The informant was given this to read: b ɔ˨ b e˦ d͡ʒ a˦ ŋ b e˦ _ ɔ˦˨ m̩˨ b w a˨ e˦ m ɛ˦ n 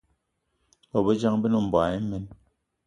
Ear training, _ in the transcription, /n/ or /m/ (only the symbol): n